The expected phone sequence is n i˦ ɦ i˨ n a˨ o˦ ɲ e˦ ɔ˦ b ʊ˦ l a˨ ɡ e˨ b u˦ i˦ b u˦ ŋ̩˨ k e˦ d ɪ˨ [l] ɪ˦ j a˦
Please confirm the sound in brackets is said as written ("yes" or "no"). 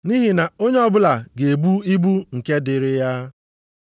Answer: no